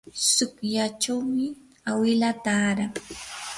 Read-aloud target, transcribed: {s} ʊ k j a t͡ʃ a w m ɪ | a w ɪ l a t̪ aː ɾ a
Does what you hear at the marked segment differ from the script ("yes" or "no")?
no